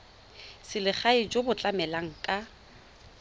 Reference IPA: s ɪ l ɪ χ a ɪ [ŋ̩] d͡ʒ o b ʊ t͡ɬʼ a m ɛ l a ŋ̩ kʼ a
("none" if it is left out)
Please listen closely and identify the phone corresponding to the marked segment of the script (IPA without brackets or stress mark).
none